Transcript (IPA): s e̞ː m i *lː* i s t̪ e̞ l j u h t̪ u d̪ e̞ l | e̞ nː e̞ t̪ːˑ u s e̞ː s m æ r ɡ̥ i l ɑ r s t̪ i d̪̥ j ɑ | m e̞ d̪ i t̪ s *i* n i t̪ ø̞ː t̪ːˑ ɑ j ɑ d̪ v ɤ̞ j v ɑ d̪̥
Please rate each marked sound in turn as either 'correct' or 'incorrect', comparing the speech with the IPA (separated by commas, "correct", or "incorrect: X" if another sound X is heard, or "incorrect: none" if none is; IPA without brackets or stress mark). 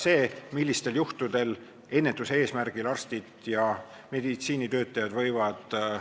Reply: correct, incorrect: iː